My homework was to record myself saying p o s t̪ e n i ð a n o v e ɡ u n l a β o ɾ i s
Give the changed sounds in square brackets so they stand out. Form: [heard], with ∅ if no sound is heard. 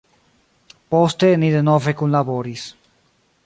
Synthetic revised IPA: p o s t̪ e n i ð [e] n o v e [k] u n l a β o ɾ i s